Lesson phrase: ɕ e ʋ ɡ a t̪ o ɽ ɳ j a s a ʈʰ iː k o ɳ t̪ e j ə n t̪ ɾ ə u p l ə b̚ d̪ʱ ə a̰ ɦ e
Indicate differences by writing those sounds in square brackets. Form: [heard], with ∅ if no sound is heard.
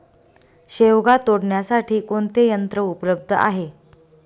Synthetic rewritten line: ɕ e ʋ ɡ a t̪ o ɽ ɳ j a s a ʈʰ iː k o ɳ t̪ e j ə n t̪ ɾ ə u p l ə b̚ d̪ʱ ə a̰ ɦ e